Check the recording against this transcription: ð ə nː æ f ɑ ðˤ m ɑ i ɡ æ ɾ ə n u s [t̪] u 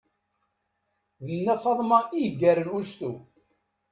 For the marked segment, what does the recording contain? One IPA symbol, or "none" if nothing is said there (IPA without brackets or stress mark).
t̪